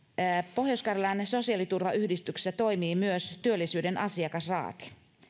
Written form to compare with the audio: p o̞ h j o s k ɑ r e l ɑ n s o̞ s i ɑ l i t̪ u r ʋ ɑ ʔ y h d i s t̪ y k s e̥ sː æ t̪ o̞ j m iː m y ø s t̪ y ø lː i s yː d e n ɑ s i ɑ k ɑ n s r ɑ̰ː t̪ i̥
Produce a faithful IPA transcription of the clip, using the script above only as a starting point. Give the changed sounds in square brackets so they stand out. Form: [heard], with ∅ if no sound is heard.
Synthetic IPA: p o̞ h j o s k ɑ r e l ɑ n s o̞ s i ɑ l i t̪ u r ʋ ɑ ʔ y h d i s t̪ y k s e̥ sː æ t̪ o̞ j m iː m y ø s t̪ y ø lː i s yː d e n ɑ s i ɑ k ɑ [∅] s r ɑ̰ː t̪ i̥